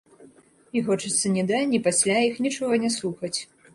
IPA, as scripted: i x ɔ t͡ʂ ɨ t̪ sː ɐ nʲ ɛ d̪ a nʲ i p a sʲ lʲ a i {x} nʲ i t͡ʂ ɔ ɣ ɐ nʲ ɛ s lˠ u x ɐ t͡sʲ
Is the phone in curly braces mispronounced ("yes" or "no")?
no